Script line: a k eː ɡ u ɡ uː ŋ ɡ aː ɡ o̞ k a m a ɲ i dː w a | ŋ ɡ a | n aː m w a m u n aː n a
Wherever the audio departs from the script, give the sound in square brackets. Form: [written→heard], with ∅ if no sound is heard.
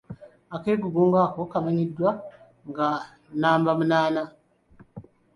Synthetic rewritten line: a k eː ɡ u ɡ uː ŋ ɡ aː [ɡ→k] o̞ k a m a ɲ i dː w a | ŋ ɡ a | n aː m [w→b] a m u n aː n a